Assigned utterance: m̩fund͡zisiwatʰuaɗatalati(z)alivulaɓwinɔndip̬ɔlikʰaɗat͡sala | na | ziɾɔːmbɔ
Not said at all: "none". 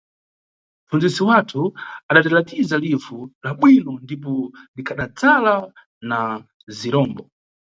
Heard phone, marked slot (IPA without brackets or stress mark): z